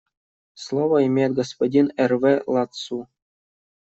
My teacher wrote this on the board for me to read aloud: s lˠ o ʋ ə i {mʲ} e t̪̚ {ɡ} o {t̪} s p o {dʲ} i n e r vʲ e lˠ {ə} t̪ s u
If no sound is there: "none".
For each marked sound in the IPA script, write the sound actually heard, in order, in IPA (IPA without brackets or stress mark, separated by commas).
mʲ, ɡ, none, dʲ, ɑ